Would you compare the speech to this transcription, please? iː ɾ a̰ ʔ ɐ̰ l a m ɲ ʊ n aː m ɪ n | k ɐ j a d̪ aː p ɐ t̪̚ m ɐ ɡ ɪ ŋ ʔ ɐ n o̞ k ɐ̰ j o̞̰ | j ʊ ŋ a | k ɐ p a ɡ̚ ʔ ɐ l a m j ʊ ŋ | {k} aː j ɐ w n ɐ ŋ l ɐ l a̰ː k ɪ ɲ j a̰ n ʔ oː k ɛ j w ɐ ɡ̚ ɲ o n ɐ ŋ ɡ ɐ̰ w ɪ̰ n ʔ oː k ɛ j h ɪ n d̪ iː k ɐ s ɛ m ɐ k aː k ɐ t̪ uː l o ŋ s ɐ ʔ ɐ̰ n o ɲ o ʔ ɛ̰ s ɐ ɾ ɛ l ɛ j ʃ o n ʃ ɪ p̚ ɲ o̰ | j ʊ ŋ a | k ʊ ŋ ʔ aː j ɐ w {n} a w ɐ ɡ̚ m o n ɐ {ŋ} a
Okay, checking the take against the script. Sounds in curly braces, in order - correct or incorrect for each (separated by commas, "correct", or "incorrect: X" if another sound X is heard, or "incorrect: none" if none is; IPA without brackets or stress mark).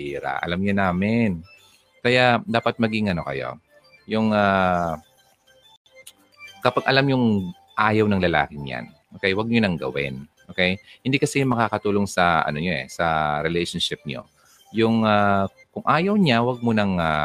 incorrect: ʔ, incorrect: ɲ, correct